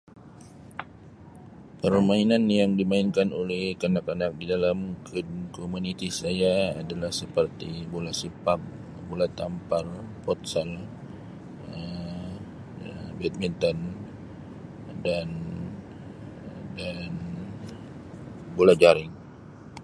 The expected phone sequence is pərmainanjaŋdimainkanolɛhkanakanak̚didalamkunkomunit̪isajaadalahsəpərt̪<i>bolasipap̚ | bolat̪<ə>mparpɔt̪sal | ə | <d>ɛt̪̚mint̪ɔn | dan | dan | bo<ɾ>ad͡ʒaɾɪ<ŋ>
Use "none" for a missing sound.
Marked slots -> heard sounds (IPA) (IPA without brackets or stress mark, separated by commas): i, a, b, l, ŋ